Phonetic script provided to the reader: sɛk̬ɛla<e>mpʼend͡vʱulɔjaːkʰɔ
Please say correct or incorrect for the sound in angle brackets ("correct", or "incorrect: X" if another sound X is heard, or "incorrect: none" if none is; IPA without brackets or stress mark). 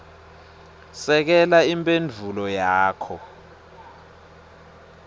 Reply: incorrect: i